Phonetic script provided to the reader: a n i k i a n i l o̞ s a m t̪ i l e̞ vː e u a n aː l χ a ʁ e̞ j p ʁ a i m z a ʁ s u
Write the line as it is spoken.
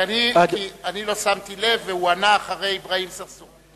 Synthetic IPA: a n i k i a n i l o̞ s a m t̪ i l e̞ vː e u a n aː χ a ʁ e̞ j b ʁ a i m s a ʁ s u